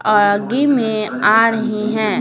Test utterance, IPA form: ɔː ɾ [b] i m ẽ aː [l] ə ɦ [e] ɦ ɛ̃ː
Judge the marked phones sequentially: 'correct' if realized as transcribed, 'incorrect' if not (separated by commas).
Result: incorrect, incorrect, incorrect